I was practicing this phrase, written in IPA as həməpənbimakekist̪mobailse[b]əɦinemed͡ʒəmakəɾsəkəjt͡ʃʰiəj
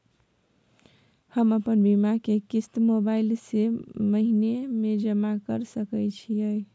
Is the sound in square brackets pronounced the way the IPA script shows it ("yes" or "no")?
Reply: no